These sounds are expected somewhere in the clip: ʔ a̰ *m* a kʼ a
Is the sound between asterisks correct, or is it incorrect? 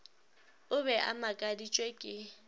correct